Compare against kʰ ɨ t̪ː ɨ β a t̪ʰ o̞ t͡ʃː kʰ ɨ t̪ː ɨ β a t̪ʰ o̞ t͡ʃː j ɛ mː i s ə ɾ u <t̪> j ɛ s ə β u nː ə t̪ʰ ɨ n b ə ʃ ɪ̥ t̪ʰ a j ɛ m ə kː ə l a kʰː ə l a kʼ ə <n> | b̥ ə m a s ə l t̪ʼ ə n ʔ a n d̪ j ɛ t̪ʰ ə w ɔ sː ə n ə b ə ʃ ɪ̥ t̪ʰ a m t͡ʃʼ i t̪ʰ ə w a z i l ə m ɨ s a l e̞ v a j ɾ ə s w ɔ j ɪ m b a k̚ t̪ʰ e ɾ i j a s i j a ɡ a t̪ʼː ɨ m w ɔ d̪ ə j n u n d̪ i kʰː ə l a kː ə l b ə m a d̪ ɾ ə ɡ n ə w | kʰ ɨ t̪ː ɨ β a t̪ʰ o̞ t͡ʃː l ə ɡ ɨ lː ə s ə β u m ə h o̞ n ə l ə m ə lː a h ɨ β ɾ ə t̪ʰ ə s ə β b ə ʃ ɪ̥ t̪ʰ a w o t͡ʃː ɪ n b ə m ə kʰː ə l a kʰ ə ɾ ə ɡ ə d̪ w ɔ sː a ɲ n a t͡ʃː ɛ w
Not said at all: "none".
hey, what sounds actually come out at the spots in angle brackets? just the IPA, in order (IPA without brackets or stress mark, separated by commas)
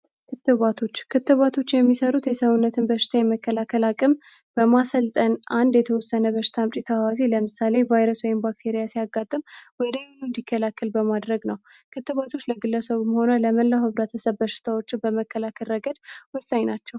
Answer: t̪, m